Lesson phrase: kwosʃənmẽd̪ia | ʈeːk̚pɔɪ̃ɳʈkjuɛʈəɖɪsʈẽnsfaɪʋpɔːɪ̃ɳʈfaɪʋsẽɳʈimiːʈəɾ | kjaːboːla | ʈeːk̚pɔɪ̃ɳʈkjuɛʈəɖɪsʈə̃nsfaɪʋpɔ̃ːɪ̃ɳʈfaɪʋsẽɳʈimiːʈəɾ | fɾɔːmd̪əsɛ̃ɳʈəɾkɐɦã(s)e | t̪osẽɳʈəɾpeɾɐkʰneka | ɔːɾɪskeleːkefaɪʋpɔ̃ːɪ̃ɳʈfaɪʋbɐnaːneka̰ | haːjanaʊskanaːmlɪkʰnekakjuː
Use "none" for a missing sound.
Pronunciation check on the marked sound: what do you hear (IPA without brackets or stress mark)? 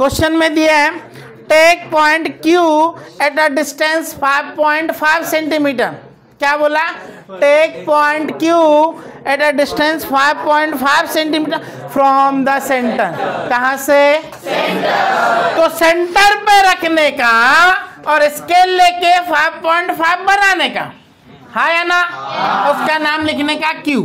s